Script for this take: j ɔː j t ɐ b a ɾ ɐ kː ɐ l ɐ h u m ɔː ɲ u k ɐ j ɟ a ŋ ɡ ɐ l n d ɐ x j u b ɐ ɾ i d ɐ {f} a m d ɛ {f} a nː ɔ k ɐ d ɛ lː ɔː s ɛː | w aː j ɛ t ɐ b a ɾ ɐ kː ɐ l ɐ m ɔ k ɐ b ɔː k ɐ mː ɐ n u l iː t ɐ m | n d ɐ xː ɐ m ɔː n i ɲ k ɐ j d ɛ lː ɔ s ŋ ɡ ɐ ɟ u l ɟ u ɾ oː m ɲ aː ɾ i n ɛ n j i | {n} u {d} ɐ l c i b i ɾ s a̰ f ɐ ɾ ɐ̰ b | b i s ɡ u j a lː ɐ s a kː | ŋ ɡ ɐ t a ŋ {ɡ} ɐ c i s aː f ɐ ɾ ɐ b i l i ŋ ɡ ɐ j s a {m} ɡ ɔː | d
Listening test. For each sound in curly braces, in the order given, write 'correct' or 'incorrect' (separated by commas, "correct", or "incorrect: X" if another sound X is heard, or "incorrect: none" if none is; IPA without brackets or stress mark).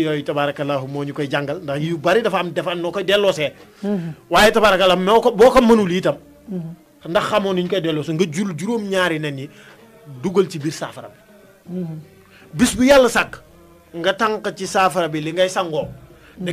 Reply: correct, correct, incorrect: d, incorrect: ɡ, incorrect: k, incorrect: ŋ